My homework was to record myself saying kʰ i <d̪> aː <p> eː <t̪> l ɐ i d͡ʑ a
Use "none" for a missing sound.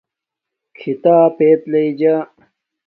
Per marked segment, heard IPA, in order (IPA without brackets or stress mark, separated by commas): t̪, p, t̪